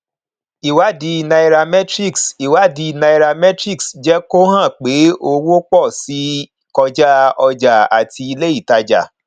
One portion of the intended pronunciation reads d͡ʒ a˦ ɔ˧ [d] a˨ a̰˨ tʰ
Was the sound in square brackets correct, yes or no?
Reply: no